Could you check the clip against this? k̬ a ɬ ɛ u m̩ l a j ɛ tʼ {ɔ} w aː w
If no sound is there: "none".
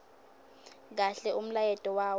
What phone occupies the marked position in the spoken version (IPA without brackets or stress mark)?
ɔ